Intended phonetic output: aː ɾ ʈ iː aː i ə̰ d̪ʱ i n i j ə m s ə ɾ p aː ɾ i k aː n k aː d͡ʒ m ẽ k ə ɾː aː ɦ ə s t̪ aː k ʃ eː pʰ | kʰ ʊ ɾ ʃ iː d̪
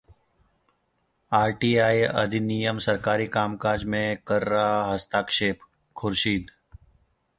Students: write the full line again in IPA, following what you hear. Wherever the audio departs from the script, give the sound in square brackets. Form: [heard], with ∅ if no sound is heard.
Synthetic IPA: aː ɾ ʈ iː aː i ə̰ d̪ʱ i n i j ə m s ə ɾ [k] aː ɾ i k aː [m] k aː d͡ʒ m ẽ k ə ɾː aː ɦ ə s t̪ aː k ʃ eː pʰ | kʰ ʊ ɾ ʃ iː d̪